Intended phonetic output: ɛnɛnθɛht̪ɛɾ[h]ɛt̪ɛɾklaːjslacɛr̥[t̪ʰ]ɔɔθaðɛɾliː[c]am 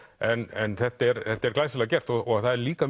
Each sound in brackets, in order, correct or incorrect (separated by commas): incorrect, incorrect, incorrect